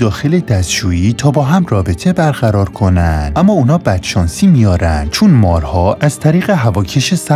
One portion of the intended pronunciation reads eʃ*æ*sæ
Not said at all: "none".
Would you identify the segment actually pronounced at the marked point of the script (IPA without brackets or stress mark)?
e